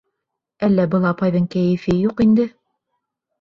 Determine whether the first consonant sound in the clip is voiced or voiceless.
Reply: voiced